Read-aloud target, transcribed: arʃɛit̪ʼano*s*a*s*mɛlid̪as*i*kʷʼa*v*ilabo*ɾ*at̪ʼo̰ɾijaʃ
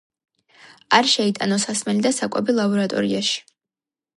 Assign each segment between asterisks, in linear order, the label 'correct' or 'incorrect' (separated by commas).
correct, correct, incorrect, incorrect, correct